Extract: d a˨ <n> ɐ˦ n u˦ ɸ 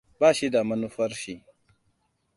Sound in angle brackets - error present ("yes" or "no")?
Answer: yes